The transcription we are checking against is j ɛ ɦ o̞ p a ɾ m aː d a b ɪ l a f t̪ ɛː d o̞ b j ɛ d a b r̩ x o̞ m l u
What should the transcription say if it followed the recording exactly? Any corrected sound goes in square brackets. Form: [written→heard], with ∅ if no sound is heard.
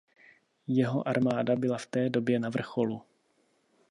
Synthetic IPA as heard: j ɛ ɦ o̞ [p→ʔ] a ɾ m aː d a b ɪ l a f t̪ ɛː d o̞ b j ɛ [d→n] a [b→v] r̩ x o̞ [m→∅] l u